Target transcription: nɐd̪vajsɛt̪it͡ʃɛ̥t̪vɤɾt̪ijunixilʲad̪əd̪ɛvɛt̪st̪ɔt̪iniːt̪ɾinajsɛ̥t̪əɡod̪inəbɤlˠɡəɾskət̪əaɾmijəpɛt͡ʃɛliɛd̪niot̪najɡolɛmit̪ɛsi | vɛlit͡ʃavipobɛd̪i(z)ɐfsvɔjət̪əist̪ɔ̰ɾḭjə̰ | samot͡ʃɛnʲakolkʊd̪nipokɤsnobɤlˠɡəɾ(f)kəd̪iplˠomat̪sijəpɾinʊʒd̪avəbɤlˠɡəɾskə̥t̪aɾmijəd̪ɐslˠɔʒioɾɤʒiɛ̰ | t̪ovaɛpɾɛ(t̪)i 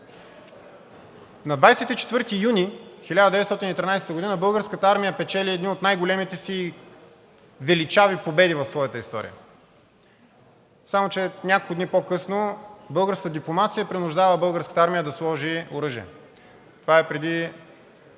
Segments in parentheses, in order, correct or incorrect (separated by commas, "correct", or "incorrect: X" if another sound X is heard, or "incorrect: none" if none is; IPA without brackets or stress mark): incorrect: v, incorrect: s, incorrect: d̪